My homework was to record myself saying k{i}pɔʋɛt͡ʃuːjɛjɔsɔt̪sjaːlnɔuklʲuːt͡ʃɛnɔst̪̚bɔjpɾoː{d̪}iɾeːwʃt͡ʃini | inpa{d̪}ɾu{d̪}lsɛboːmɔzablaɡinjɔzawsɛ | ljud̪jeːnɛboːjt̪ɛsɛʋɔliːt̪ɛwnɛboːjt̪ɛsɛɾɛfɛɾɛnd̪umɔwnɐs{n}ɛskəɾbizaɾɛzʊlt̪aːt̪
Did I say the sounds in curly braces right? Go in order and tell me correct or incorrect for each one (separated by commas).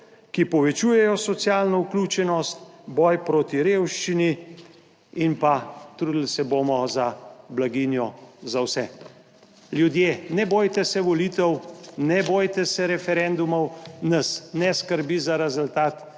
correct, incorrect, incorrect, correct, correct